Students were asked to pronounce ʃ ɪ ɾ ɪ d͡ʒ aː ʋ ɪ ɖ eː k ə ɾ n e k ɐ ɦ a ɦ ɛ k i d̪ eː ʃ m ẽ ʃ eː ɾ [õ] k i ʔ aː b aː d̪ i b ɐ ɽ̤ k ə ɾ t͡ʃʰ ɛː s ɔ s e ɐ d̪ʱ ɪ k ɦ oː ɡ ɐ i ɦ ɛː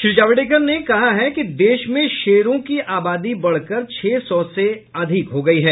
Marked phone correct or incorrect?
correct